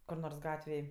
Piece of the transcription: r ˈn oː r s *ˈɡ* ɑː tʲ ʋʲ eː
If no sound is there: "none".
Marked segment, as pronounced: ɡ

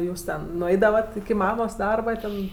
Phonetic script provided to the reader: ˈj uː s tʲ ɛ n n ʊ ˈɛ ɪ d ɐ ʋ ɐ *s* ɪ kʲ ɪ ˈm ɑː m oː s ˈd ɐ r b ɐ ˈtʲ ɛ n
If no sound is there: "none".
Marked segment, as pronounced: t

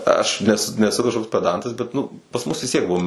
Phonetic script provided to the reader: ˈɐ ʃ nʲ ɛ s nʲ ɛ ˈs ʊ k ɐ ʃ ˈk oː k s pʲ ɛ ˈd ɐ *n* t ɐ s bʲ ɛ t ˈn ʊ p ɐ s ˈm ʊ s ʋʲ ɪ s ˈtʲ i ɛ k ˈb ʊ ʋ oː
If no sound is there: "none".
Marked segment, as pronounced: n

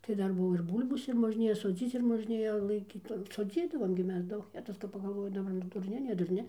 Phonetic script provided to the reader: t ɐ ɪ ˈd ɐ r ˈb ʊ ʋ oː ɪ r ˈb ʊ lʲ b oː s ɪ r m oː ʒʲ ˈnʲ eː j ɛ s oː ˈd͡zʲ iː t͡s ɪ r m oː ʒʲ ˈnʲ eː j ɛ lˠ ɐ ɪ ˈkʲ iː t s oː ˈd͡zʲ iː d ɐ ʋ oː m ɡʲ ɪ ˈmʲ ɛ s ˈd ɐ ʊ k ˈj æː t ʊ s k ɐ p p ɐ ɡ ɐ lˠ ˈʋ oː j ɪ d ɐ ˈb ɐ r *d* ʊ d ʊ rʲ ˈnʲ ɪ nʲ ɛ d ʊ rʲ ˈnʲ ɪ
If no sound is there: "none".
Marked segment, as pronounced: n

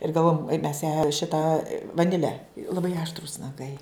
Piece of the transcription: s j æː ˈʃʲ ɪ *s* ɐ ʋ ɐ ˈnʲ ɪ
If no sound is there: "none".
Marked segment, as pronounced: t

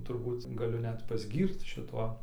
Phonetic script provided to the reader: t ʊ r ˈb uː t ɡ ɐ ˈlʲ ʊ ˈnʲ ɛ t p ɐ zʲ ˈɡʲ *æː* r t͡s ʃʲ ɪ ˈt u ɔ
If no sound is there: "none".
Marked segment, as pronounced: iː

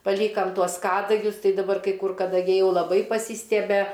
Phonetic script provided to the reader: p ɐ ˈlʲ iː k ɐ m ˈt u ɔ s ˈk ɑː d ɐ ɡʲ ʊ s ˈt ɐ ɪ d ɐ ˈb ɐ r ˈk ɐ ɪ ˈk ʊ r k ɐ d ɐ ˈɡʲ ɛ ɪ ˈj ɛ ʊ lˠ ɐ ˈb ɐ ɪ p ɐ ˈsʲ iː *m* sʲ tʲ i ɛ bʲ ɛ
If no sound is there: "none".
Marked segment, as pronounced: none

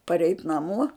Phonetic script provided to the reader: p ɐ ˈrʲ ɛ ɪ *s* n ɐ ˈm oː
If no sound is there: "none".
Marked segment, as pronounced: t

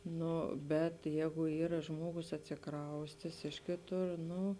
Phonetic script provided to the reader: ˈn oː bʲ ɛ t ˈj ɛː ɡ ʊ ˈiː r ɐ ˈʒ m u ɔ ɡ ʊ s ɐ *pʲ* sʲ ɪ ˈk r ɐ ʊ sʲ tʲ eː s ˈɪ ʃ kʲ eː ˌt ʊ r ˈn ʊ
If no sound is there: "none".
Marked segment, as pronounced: tʲ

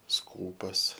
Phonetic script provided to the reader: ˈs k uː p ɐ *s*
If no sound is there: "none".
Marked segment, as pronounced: s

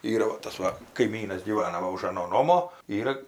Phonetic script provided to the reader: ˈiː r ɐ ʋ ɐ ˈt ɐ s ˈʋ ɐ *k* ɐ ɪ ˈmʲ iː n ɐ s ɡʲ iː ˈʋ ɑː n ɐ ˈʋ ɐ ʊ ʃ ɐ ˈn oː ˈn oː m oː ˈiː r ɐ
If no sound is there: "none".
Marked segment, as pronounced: k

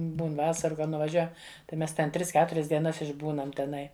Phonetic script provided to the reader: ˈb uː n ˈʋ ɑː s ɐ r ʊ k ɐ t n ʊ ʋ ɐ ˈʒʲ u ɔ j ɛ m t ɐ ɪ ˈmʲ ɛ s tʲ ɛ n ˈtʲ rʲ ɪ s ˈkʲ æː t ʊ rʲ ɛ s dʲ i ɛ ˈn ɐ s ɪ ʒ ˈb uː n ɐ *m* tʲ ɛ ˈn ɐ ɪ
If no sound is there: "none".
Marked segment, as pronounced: m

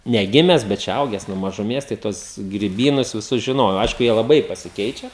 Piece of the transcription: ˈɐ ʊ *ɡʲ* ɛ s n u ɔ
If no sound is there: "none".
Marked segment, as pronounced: ɡʲ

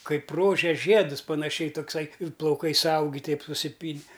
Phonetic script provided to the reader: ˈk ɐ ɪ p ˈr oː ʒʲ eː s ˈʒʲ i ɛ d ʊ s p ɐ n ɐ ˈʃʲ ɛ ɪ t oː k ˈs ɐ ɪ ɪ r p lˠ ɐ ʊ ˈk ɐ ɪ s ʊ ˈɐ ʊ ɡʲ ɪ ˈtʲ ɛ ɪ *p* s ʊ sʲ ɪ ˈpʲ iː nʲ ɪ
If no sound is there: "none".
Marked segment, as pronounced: p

